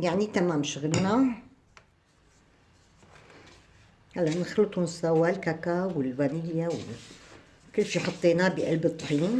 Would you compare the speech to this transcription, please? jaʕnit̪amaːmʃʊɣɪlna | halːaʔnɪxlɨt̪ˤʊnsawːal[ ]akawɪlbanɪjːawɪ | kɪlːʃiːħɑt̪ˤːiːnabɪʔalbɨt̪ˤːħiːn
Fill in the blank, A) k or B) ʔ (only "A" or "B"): A